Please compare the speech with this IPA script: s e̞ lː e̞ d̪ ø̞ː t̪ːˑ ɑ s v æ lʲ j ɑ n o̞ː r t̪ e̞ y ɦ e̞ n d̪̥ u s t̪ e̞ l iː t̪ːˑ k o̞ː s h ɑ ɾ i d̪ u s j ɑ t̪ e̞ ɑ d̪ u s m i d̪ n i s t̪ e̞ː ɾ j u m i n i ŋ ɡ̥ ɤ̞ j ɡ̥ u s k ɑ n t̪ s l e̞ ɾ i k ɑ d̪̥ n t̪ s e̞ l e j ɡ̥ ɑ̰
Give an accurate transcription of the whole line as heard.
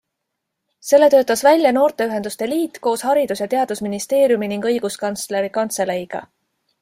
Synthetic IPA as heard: s e̞ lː e̞ t̪ ø̞ː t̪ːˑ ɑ s v æ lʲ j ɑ n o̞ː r t̪ e̞ y ɦ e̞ n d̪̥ u s t̪ e̞ l iː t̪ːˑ k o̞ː s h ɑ ɾ i d̪ u s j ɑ t̪ e̞ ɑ d̪ u s m i n i s t̪ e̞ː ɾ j u m i n i ŋ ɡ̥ ɤ̞ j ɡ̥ u s k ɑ n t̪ s l e̞ ɾ i k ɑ n t̪ s e̞ l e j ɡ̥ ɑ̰